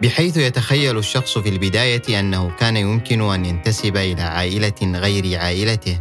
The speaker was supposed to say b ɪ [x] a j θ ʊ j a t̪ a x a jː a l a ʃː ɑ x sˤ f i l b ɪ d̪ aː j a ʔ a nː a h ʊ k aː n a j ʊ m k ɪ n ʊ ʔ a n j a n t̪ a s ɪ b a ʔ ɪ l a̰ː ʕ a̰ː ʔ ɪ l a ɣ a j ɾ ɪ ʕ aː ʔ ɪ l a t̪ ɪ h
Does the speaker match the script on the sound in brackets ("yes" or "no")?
no